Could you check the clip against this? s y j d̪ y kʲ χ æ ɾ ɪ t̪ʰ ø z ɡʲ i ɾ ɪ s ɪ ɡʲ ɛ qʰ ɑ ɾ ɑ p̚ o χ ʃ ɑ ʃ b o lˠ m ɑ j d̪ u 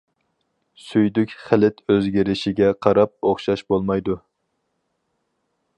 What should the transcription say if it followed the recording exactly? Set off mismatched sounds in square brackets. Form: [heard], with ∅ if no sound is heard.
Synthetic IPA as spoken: s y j d̪ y kʲ χ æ [l] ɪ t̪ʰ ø z ɡʲ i ɾ ɪ [ʃ] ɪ ɡʲ ɛ qʰ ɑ ɾ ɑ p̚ o χ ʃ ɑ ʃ b o lˠ m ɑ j d̪ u